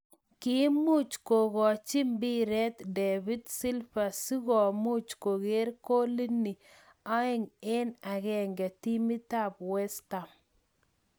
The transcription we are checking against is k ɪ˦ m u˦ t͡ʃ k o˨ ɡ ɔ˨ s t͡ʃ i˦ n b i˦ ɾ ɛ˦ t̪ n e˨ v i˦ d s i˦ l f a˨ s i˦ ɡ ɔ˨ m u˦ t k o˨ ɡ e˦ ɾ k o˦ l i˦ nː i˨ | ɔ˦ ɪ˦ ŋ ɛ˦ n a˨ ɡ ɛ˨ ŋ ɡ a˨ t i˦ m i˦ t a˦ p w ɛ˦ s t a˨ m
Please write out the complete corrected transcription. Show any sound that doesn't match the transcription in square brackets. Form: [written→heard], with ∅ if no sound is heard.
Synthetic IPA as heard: k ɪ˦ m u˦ t͡ʃ k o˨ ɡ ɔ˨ [s→∅] t͡ʃ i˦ [n→m] b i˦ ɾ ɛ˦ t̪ [n→d] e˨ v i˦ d s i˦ l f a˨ s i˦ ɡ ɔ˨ m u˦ [t→t͡ʃ] k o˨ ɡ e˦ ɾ k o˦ l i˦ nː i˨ | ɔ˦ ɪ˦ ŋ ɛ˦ n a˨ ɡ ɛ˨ ŋ ɡ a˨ t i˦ m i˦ t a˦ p w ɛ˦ s t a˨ m